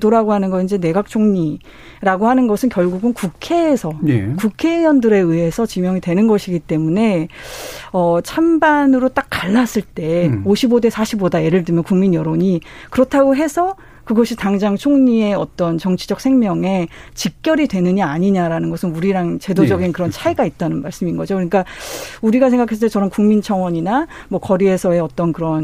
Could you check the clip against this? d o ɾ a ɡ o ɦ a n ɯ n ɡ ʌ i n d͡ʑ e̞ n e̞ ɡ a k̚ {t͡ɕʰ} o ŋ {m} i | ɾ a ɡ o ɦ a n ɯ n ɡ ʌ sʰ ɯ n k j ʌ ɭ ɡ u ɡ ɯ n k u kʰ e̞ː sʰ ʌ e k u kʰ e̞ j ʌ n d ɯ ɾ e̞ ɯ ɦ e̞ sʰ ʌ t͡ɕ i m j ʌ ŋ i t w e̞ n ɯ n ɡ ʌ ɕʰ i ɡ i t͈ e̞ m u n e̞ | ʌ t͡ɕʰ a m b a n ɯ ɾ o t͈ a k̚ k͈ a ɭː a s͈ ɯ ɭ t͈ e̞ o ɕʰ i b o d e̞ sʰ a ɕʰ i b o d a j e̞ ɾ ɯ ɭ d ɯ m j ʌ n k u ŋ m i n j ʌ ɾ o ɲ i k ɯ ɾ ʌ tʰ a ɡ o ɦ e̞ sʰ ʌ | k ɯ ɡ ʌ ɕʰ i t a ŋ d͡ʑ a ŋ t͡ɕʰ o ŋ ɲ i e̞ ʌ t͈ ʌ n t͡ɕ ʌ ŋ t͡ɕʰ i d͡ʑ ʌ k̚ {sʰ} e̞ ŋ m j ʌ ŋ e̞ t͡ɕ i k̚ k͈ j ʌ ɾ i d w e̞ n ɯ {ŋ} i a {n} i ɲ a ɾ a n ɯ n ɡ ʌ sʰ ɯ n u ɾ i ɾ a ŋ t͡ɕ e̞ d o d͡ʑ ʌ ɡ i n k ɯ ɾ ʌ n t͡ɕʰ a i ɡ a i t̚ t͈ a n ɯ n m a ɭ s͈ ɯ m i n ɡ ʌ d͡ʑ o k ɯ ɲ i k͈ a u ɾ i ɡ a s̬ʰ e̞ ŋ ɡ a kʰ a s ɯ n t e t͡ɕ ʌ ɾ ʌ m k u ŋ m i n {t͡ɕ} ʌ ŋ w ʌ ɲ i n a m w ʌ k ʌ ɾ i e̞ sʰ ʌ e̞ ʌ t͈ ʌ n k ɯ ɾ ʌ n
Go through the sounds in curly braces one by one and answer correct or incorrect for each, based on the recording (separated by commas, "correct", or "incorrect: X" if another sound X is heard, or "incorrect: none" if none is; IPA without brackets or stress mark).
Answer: correct, incorrect: ɲ, correct, incorrect: ɲ, incorrect: ɲ, incorrect: t͡ɕʰ